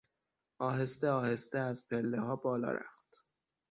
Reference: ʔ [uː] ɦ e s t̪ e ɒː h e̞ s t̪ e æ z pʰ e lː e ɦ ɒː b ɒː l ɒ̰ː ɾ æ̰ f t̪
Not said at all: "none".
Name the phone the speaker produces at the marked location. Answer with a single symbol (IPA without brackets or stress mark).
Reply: ɒː